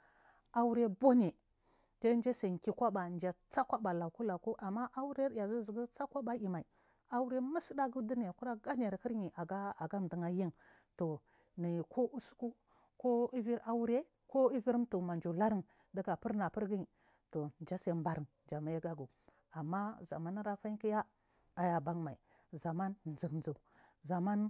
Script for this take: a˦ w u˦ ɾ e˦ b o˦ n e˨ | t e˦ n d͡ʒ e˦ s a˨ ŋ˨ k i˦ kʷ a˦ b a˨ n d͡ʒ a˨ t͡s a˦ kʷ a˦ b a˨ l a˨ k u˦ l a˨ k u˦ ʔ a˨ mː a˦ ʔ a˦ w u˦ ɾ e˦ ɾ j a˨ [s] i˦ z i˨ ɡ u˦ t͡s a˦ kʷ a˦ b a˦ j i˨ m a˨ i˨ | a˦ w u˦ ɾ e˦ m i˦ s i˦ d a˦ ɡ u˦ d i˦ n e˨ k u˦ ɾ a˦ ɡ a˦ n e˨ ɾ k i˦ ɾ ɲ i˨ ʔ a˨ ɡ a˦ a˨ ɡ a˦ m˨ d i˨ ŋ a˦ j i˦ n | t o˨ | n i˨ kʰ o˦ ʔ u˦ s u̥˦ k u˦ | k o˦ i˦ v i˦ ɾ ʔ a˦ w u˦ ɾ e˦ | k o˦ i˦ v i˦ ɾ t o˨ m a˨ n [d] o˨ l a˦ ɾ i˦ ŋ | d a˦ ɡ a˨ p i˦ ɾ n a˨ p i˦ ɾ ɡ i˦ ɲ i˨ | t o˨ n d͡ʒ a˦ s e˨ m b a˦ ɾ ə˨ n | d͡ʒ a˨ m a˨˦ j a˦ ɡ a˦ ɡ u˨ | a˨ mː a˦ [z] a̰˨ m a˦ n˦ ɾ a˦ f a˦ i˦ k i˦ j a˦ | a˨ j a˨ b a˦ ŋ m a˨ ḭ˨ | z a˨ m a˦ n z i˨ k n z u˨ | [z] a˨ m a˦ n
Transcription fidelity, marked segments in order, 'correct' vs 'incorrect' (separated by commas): incorrect, incorrect, correct, correct